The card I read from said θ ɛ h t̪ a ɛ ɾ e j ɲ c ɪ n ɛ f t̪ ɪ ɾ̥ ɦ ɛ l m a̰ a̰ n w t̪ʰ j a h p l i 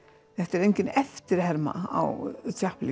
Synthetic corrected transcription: θ ɛ h t̪ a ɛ ɾ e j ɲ c ɪ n ɛ f t̪ ɪ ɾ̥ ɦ ɛ ɾ m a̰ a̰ w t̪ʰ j a h p l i